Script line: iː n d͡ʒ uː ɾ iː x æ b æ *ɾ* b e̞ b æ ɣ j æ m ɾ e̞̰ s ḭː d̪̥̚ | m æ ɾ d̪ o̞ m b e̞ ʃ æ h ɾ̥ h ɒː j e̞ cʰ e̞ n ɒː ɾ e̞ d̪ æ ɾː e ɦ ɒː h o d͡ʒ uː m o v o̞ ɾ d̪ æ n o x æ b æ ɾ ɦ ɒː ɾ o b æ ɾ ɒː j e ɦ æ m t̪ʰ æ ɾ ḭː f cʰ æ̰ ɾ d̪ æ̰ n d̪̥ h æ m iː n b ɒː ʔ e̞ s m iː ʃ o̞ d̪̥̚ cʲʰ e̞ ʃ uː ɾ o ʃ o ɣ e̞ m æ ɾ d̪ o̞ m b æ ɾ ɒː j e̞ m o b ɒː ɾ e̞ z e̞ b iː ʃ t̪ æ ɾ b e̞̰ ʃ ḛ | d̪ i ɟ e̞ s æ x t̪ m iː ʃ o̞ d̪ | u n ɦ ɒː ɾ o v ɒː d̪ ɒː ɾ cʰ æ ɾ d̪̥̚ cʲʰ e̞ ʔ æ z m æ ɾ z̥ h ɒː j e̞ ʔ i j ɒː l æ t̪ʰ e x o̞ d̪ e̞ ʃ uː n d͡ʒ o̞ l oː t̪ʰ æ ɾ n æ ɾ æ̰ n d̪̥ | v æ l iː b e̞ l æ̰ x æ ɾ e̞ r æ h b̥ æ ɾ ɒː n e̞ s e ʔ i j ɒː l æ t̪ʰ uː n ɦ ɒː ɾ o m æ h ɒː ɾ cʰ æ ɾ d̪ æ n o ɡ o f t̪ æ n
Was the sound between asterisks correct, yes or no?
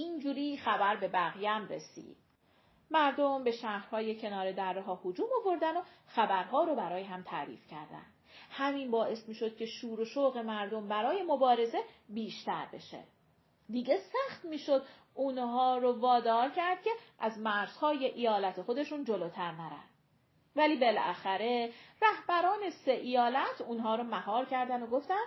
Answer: yes